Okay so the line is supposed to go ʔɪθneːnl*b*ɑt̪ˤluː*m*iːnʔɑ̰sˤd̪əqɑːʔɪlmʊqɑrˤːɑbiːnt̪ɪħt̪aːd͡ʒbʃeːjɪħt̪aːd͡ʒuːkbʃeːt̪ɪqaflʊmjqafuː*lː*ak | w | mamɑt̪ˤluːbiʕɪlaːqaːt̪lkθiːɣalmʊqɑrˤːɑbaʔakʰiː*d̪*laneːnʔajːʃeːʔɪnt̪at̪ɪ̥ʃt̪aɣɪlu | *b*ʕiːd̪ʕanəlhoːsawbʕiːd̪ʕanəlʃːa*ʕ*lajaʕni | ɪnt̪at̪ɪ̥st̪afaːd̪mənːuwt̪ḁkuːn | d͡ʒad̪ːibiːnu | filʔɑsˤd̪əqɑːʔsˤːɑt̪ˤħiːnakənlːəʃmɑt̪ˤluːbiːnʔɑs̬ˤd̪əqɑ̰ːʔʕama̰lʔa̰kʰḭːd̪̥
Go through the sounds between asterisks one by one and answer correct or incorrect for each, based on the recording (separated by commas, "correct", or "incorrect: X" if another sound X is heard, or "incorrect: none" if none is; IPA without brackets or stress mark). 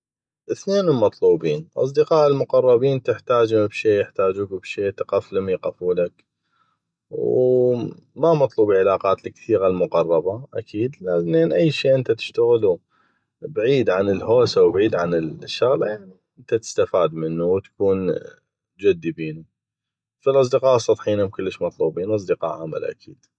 incorrect: m, incorrect: b, incorrect: l, correct, correct, incorrect: ɣ